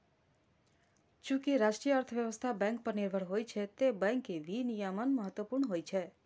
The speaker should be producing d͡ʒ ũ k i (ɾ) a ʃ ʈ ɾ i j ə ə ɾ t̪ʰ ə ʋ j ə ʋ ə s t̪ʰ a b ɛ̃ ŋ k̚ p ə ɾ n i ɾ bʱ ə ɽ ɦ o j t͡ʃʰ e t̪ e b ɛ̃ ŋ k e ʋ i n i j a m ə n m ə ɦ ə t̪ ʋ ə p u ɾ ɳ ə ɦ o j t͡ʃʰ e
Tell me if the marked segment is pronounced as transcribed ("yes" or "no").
yes